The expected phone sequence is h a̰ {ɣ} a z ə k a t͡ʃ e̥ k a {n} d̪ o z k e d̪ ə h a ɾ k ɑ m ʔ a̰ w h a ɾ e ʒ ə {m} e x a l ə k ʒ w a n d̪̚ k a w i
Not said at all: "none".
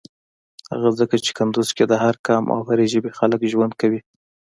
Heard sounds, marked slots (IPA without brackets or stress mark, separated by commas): ɣ, n, b